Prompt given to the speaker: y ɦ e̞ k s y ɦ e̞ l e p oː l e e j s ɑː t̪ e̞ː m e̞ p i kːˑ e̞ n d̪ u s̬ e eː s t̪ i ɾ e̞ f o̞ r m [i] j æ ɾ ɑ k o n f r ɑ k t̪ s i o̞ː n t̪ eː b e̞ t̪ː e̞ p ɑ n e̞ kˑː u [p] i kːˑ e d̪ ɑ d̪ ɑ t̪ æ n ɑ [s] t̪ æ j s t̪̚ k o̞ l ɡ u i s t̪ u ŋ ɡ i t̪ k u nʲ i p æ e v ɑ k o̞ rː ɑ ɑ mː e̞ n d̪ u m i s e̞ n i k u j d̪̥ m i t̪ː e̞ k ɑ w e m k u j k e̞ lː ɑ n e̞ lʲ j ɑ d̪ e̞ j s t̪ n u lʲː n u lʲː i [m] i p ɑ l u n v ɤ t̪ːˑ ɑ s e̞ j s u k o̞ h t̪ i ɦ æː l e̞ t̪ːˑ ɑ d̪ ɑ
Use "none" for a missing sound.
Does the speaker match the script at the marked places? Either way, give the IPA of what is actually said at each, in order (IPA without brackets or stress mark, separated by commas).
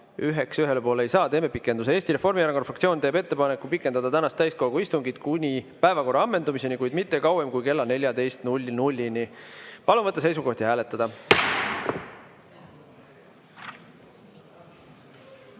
i, p, s, n